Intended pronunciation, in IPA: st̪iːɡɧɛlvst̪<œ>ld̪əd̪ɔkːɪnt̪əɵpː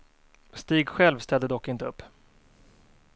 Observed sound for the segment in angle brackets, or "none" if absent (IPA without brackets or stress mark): ɛ